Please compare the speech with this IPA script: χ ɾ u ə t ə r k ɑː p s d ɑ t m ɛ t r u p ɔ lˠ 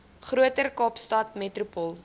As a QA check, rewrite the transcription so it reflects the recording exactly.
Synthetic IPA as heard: χ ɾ u ə t ə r k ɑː p s t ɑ t m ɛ t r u p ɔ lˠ

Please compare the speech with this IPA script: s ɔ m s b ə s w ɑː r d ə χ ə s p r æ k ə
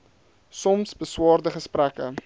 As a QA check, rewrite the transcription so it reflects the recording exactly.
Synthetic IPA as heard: s ɔ m s b ə s w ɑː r d ə χ ə s p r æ k ə

